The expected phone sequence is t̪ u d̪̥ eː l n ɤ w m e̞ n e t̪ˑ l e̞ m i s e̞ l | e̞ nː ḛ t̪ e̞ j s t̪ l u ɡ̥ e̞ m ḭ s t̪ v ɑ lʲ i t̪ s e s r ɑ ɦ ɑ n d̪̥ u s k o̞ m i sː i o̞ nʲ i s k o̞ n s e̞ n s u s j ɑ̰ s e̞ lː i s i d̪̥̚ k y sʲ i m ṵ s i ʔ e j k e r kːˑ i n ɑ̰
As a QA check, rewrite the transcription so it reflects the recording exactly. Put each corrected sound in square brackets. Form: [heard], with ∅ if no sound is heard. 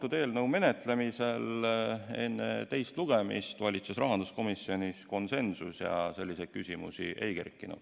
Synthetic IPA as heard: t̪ u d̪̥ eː l n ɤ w m e̞ n e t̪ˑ l e̞ m i s e̞ l | e̞ nː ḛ t̪ e̞ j s t̪ l u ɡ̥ e̞ m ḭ s t̪ v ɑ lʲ i t̪ s e s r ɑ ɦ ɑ n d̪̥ u s k o̞ m i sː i o̞ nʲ i s k o̞ n s e̞ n s u s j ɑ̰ s e̞ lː i s [e] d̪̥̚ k y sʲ i m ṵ s i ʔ e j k e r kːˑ i n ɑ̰